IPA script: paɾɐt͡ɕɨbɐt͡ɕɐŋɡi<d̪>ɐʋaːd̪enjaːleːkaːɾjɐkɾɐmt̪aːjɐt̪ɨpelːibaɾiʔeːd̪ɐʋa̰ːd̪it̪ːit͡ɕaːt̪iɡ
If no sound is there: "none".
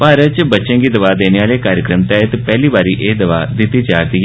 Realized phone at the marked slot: d̪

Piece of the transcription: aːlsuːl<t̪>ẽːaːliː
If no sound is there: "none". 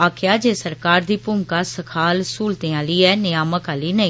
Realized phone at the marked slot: t̪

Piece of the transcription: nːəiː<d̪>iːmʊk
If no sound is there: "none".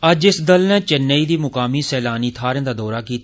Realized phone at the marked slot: d̪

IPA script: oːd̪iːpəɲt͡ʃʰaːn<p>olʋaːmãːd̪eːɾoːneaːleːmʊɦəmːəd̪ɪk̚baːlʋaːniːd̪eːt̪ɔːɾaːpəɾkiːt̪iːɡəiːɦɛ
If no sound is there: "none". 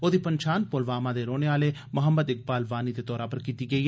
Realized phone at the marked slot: p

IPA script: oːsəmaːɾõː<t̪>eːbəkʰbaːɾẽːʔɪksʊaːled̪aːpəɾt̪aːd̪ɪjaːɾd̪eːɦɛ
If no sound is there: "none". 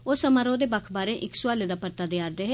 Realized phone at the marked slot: d̪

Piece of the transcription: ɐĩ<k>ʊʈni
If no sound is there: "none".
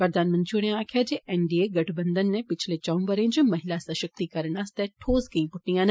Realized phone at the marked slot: p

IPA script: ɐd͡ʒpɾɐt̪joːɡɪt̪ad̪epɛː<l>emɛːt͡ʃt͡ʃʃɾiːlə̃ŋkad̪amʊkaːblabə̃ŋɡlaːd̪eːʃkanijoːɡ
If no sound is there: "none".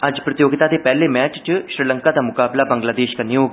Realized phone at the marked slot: l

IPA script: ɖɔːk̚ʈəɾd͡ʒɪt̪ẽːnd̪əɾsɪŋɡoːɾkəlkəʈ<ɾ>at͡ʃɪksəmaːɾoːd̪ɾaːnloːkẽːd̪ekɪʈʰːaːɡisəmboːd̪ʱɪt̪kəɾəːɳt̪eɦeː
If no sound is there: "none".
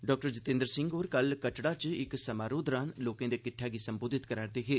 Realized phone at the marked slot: ɽ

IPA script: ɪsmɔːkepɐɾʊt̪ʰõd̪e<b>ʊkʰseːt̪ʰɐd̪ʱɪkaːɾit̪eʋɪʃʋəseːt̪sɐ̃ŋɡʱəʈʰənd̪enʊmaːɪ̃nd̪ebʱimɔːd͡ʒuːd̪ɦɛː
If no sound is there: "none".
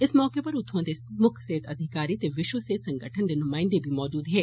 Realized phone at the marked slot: m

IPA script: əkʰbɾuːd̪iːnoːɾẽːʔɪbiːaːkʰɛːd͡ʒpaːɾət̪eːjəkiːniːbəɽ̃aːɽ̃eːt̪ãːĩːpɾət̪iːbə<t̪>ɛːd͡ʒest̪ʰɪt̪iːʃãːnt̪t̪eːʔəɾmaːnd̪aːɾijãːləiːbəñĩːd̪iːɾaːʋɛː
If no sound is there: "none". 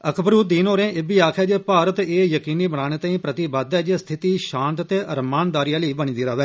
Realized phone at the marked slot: d̪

